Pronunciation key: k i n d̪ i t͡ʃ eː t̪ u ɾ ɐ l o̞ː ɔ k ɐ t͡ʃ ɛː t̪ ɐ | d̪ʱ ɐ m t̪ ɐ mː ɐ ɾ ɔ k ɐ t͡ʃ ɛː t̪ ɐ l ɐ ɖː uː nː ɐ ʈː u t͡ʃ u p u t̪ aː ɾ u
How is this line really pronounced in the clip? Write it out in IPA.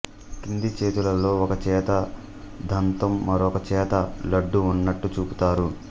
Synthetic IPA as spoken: k i n d̪ i t͡ʃ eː t̪ u l ɐ l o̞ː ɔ k ɐ t͡ʃ ɛː t̪ ɐ | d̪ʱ ɐ n t̪ ɐ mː ɐ ɾ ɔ k ɐ t͡ʃ ɛː t̪ ɐ l ɐ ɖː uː nː ɐ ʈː u t͡ʃ uː p u t̪ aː ɾ u

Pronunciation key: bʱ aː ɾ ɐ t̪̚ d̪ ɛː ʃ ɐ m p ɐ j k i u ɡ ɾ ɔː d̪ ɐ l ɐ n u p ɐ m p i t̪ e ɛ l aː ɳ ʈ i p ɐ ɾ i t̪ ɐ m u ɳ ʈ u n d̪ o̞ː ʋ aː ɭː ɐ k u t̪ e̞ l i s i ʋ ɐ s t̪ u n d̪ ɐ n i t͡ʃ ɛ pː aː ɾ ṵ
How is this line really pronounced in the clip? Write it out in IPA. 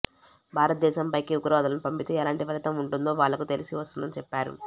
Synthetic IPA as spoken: bʱ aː ɾ ɐ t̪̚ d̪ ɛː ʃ ɐ m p ɐ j k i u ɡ ɾ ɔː d̪ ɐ l ɐ n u p ɐ m p i t̪ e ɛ l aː ɳ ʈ i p ɐ ɾ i t̪ ɐ m u ɳ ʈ u n d̪ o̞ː ʋ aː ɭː ɐ k u t̪ e̞ l i s i ʋ ɐ s t̪ u n d̪ ɐ n i t͡ʃ ɛ pː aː ɾ ṵ

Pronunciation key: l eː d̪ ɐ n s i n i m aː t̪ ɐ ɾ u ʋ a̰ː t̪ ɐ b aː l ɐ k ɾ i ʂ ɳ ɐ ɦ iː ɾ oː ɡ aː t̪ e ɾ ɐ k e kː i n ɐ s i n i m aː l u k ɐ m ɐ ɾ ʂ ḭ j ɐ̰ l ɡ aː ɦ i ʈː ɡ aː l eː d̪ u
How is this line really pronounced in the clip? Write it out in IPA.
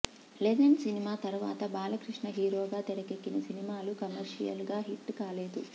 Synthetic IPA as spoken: l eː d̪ ɐ n s i n i m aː t̪ ɐ ɾ u ʋ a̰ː t̪ ɐ b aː l ɐ k ɾ i ʂ ɳ ɐ ɦ iː ɾ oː ɡ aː t̪ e ɾ ɐ k e kː i n ɐ s i n i m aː l u k ɐ m ɐ ɾ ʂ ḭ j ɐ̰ l ɡ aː ɦ i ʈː k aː l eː d̪ u

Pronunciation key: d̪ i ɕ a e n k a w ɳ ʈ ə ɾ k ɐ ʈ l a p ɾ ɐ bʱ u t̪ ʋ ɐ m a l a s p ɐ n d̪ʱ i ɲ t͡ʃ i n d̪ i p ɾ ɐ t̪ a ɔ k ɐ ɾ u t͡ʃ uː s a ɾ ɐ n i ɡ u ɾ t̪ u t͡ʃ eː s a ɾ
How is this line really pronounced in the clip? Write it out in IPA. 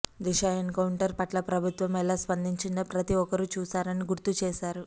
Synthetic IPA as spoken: d̪ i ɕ a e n k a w ɳ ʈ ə ɾ p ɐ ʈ l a p ɾ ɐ bʱ u t̪ ʋ ɐ m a l a s p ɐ n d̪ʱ i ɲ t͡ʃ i n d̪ a p ɾ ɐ t̪ i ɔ k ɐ ɾ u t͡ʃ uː s a ɾ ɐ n i ɡ u ɾ t̪ u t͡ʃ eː s a ɾ

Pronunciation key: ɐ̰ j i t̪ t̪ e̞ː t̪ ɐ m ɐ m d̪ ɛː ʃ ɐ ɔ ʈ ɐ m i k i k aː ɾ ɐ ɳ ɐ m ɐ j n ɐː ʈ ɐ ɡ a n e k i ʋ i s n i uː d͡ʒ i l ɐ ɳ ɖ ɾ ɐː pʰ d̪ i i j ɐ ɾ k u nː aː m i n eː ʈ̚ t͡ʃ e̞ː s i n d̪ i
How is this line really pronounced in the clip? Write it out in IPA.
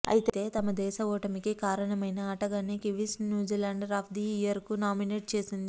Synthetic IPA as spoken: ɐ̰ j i t̪ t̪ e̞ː t̪ ɐ m ɐ d̪ ɛː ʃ ɐ ɔː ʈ ɐ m i k i k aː ɾ ɐ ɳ ɐ m ɐ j n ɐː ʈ ɐ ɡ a n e k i ʋ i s n j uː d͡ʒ i l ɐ ɳ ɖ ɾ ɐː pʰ d̪ i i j ɐ ɾ k u n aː m i n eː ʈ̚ t͡ʃ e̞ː s i n d̪ i

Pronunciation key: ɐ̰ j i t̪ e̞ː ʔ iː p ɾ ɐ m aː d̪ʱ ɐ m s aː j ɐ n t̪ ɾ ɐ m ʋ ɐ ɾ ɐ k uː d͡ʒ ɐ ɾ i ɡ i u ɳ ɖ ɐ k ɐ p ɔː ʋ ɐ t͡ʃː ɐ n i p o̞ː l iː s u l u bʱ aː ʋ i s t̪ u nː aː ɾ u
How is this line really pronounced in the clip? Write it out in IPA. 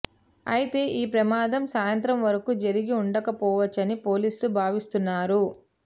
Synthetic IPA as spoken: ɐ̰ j i t̪ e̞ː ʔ iː p ɾ ɐ m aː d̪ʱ ɐ m s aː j ɐ n t̪ ɾ ɐ m ʋ ɐ ɾ ɐ k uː d͡ʒ ɐ ɾ i ɡ i u ɳ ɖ ɐ k ɐ p ɔː ʋ ɐ t͡ʃː ɐ n i p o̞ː l iː s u l u bʱ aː ʋ i s t̪ u nː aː ɾ u

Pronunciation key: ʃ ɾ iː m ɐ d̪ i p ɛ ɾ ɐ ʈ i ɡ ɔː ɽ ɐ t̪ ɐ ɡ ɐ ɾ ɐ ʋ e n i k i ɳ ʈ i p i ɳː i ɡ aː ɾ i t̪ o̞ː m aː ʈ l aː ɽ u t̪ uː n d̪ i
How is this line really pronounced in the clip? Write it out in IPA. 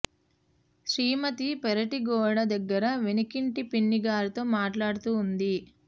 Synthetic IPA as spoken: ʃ ɾ iː m ɐ t̪ i p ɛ ɾ ɐ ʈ i ɡ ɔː ɽ ɐ d̪ ɐ ɡː ɐ ɾ ɐ ʋ e n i k i ɳ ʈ i p i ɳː i ɡ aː ɾ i t̪ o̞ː m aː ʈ l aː ɽ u t̪ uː n d̪ i

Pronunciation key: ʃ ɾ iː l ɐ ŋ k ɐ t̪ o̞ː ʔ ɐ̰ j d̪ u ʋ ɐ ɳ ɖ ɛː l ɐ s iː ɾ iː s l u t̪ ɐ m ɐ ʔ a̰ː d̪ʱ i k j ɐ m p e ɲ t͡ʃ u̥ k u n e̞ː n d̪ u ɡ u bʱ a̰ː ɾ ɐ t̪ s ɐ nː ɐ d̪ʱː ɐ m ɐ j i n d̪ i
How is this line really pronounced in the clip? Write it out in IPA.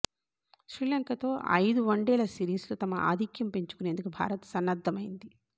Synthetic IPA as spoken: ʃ ɾ iː l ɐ ŋ k ɐ t̪ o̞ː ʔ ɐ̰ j d̪ u ʋ ɐ ɳ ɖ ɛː l ɐ s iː ɾ iː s l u t̪ ɐ m ɐ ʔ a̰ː d̪ʱ i k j ɐ m p e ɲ t͡ʃ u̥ k u n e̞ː n d̪ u k u bʱ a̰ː ɾ ɐ t̪ s ɐ nː ɐ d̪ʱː ɐ m ɐ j i n d̪ i

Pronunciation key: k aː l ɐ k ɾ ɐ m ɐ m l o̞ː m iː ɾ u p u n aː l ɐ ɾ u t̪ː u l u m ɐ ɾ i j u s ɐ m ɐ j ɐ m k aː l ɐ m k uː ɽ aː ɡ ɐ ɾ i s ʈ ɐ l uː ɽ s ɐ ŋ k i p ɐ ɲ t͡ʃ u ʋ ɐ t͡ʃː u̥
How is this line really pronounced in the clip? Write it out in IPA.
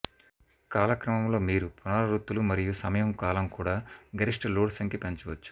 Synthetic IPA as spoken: k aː l ɐ k ɾ ɐ m ɐ m l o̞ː m iː ɾ u p u n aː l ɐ ɾ u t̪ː u l u m ɐ ɾ i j u s ɐ m ɐ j ɐ m k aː l ɐ m k uː ɽ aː ɡ ɐ ɾ i ʂ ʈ ɐ l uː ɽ s ɐ ŋ k i p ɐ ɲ t͡ʃ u ʋ ɐ t͡ʃː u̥

